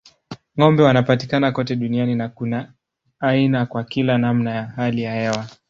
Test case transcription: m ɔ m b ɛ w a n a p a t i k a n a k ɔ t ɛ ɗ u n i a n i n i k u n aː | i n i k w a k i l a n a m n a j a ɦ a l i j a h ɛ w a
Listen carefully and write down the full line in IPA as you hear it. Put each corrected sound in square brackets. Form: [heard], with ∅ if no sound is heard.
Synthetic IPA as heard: [ŋ] ɔ m b ɛ w a n a p a t i k a n a k ɔ t ɛ ɗ u n i a n i n [a] k u n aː | i n [a] k w a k i l a n a m n a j a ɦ a l i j a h ɛ w a